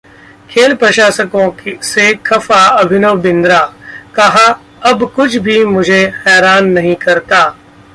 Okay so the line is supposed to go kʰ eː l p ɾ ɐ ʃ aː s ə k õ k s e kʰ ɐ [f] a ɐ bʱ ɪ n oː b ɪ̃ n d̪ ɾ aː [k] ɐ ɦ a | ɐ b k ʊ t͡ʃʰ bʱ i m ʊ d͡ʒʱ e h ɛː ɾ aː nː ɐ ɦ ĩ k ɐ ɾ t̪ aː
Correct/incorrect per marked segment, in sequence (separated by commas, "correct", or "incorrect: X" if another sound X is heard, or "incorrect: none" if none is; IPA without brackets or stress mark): correct, correct